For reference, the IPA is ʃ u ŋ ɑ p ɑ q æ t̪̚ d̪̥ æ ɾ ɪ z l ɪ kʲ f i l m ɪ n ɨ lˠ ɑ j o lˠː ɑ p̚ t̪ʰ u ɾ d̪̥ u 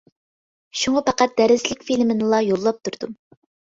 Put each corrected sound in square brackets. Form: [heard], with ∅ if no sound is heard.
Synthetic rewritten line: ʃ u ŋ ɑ p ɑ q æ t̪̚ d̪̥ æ ɾ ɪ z l ɪ kʲ f i l m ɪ n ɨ lˠ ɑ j o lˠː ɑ p̚ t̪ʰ u ɾ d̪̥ u